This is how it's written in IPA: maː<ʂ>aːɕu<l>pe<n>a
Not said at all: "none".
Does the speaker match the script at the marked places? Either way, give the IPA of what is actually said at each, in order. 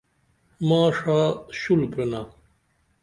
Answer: ʂ, l, n

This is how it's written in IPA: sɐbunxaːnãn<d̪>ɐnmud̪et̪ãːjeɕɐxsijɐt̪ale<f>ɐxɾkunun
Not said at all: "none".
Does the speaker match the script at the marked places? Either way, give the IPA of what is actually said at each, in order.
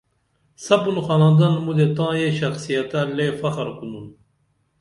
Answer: d̪, f

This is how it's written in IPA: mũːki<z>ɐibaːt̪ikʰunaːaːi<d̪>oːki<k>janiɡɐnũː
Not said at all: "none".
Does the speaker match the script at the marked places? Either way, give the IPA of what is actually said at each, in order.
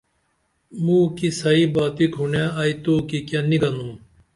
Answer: s, t̪, k

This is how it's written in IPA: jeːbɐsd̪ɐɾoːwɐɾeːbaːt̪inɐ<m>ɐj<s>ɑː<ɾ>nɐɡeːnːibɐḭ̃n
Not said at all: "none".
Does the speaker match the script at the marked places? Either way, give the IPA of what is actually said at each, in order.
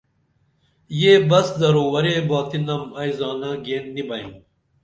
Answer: m, z, none

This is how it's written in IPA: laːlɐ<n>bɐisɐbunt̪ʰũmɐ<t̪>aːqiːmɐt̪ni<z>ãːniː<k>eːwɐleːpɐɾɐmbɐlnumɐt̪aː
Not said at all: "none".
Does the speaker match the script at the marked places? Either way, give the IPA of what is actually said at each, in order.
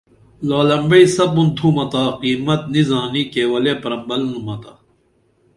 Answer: m, t̪, z, k

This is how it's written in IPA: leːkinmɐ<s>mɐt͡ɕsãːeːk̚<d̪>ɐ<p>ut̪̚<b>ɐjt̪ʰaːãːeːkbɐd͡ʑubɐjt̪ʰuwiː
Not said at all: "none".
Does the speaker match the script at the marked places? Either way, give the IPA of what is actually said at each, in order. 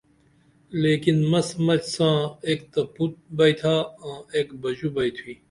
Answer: s, t̪, p, b

